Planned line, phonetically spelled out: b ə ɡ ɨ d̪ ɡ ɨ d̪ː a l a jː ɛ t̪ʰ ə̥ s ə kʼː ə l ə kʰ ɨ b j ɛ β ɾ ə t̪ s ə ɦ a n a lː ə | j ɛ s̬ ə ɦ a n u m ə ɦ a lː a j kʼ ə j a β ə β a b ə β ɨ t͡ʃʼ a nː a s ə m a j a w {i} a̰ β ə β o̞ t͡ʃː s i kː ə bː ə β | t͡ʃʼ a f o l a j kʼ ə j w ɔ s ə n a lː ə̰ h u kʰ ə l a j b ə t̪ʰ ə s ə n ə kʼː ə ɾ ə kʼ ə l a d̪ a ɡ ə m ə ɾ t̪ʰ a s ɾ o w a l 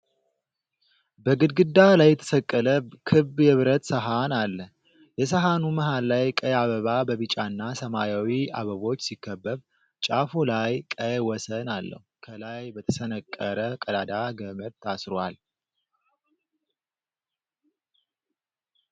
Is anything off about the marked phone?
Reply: no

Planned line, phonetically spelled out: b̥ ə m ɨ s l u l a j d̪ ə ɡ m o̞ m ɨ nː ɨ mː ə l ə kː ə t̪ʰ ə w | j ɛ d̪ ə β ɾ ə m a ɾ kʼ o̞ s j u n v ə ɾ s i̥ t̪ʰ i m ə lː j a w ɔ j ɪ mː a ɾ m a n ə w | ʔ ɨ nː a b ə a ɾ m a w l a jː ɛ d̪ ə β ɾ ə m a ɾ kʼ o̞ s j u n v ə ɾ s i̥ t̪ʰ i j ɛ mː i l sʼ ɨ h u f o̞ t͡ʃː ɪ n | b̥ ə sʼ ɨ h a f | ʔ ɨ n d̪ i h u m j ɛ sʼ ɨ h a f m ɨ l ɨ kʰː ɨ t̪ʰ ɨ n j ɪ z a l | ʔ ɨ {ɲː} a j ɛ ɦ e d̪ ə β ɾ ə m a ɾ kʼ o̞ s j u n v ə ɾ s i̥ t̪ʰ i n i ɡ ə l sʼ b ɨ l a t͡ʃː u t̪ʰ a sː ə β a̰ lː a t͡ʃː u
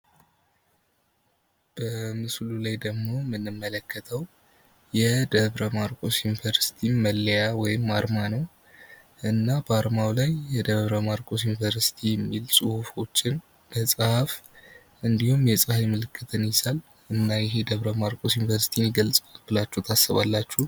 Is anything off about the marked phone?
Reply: yes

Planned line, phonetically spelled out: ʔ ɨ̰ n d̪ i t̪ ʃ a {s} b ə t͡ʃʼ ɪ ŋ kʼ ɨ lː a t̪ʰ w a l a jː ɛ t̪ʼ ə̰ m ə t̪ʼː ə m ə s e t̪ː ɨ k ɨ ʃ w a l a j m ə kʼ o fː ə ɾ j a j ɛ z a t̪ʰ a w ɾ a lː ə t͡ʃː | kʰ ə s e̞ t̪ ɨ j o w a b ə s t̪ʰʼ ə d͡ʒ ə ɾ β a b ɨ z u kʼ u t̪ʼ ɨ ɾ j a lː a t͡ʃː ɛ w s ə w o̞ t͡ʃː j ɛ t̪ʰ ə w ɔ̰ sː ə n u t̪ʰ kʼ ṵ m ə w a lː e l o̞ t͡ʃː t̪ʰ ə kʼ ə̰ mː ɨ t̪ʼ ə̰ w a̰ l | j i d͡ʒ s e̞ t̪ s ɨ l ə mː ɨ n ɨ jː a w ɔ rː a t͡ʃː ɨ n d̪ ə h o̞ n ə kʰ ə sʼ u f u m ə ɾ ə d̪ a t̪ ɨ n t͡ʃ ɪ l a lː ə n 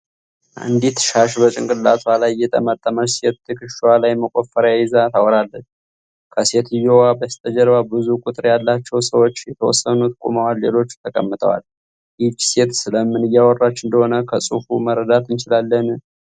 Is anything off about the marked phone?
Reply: yes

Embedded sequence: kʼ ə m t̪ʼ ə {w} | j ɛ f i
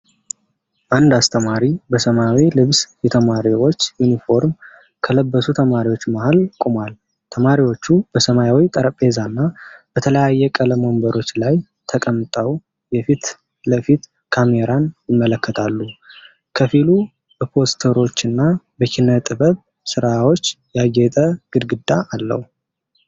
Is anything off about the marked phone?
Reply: no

